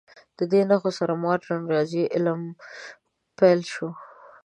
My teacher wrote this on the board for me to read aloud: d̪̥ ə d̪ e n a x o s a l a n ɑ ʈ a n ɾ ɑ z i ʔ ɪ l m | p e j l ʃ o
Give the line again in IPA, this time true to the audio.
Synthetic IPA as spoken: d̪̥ ə d̪ e n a x o s a ɾ a m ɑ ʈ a n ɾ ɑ z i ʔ ɪ l m | p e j l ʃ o